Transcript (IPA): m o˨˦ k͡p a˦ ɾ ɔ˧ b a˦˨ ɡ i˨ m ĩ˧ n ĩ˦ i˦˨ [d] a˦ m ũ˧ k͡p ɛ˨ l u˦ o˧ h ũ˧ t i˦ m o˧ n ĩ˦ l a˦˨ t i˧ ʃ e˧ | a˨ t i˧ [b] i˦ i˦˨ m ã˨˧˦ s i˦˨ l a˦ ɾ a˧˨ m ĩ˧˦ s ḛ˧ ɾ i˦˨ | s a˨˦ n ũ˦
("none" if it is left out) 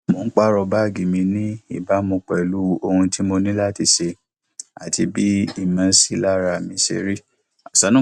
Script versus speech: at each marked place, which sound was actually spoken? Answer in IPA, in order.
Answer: b, b

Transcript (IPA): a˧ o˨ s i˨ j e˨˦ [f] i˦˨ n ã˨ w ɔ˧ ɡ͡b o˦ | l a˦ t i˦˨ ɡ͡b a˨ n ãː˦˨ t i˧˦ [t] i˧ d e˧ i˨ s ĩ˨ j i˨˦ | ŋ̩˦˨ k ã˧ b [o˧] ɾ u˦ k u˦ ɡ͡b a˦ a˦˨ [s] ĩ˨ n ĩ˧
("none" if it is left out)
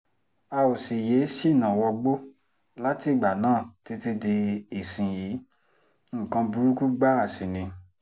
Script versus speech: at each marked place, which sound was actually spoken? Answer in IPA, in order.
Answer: ʃ, t, u˧, s

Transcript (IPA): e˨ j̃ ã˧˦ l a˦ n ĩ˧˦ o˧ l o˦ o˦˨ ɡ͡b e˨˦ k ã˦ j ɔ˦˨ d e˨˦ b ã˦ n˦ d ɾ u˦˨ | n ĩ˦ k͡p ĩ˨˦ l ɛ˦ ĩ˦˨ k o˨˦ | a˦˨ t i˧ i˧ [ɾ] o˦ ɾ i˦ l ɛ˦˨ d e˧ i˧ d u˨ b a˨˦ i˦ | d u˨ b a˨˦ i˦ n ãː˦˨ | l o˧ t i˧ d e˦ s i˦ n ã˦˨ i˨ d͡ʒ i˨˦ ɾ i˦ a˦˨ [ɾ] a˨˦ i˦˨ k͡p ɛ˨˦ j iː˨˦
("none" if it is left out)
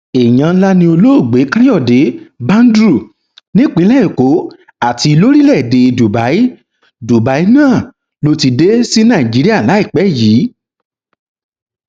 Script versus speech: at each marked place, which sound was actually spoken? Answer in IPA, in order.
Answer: l, l

